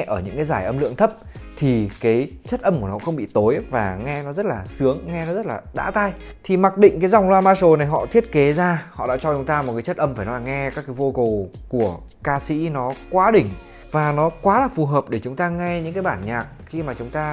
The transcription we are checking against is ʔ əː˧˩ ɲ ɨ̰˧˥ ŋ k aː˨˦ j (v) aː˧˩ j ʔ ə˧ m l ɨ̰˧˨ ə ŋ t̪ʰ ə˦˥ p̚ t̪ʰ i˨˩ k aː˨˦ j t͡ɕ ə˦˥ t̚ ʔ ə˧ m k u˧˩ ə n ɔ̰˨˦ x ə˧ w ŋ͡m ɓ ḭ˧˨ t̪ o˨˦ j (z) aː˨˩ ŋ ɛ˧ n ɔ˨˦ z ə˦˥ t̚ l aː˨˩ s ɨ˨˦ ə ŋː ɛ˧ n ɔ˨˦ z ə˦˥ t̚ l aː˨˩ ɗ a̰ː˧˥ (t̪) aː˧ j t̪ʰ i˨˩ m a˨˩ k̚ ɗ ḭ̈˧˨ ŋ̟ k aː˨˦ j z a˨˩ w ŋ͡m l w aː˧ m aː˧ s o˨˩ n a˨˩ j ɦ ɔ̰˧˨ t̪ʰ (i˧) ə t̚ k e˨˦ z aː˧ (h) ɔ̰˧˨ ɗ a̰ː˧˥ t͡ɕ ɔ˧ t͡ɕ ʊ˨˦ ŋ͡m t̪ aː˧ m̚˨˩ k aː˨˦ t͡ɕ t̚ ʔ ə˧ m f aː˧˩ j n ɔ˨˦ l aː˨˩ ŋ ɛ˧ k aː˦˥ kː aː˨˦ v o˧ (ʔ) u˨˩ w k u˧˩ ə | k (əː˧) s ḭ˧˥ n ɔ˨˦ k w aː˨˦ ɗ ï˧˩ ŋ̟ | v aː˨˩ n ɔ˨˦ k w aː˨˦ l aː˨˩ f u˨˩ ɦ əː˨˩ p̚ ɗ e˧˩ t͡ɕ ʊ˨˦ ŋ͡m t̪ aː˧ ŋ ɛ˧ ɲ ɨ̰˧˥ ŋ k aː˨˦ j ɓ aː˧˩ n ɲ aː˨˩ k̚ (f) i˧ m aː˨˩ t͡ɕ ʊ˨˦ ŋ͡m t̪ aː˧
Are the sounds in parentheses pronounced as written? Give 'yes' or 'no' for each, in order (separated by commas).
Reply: no, no, yes, no, yes, no, no, no